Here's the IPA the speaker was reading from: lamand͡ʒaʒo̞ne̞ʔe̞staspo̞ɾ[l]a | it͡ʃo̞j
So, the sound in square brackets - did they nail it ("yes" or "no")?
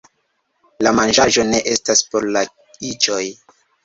yes